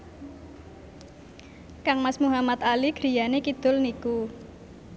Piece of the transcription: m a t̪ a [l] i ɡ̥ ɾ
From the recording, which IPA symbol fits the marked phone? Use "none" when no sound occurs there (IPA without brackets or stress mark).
l